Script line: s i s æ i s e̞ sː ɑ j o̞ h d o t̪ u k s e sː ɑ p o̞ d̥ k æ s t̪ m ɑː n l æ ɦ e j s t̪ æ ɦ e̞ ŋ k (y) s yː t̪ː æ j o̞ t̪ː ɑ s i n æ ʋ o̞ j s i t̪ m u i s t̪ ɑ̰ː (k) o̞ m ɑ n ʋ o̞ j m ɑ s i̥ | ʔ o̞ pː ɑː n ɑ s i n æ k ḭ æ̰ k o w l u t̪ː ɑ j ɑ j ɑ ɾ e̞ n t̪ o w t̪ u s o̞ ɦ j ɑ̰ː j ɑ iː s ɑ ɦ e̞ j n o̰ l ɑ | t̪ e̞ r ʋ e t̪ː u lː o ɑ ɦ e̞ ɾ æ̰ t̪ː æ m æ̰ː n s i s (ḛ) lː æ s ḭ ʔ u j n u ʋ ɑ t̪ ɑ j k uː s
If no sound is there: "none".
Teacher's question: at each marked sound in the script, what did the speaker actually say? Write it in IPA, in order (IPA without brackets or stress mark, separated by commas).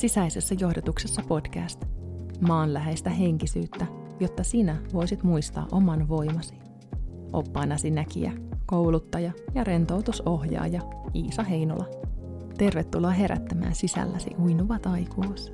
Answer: i, ʔ, æ̰